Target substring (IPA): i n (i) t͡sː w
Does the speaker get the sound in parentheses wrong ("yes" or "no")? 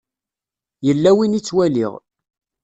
no